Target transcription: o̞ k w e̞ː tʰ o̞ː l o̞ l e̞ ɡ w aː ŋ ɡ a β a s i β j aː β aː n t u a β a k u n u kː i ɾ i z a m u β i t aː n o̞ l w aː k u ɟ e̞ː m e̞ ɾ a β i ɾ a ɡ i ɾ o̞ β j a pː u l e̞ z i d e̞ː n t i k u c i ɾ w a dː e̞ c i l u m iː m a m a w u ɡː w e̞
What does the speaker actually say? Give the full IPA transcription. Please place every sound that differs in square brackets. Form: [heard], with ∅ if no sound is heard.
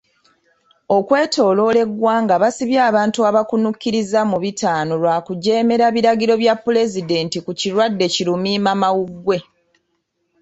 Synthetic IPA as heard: o̞ k w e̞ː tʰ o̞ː l o̞ l e̞ ɡ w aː ŋ ɡ a β a s i β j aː β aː n t u a β a k u n u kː i ɾ i z a m u β i t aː n o̞ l w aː k u ɟ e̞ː m e̞ ɾ a β i ɾ a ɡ i ɾ o̞ β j a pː u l e̞ z i d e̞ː n t i k u c i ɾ w a dː e̞ c i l u m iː m a m a w u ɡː w e̞

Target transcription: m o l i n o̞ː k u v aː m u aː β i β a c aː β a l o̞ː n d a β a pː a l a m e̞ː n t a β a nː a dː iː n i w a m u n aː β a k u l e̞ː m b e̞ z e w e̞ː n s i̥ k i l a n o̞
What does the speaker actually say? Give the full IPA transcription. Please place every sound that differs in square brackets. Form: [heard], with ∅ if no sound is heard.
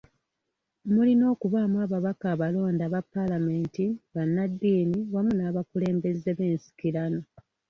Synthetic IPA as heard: m [u] l i n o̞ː k u [β] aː m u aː β [a] β a [k] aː β a l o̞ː n d a β a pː a l a m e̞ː n t [i] β a nː a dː iː n i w a m u n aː β a k u l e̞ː m b e̞ z e [β] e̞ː n s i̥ k i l a n o̞

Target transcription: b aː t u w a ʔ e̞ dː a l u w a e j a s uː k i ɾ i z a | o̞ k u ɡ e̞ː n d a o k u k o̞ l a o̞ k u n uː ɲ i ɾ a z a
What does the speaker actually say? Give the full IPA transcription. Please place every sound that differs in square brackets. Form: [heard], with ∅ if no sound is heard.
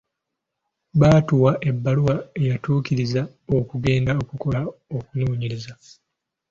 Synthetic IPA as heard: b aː t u w a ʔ e̞ [bː] a l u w a e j a [t] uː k i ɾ i z a | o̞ k u ɡ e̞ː n d a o k u k o̞ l a o̞ k u n uː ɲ i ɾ [i] z a

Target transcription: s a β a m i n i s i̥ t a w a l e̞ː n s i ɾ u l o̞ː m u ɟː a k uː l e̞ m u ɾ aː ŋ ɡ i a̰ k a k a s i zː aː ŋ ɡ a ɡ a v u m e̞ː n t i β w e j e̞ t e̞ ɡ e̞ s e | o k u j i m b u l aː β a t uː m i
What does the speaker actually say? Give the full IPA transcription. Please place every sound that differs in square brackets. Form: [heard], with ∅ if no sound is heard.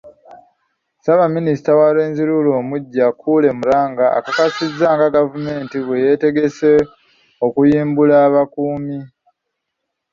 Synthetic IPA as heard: s a β a m i n i s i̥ t a w a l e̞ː n [z] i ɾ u l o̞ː m u ɟː a k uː l e̞ m u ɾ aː ŋ ɡ [a] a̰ k a k a s i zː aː ŋ ɡ a ɡ a v u m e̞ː n t i β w e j e̞ t e̞ ɡ e̞ s e | o k u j [iː] m b u l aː β a [k] uː m i

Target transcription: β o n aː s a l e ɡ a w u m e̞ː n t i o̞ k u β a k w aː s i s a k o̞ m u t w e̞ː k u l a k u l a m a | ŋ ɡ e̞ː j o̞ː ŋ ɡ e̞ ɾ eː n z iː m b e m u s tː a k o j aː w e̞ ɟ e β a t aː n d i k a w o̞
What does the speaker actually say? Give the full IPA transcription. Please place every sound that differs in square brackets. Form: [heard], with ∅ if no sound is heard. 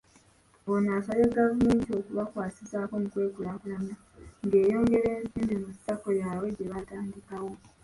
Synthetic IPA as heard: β o n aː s a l e ɡ a [v] u m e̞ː n t i o̞ k u β a k w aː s i s a k o̞ m u [k] w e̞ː k u l a k u l a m a | ŋ ɡ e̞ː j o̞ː ŋ ɡ e̞ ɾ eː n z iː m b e m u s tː a k o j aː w e̞ ɟ e β a t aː n d i k a w o̞

